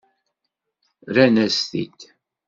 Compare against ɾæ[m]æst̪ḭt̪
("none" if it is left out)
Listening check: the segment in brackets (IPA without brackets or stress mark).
n